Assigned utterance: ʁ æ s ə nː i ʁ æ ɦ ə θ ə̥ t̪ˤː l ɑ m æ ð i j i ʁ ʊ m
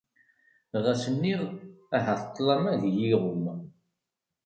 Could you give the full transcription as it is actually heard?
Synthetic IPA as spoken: ʁ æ s ə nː i ʁ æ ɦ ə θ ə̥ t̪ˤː l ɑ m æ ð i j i ʁ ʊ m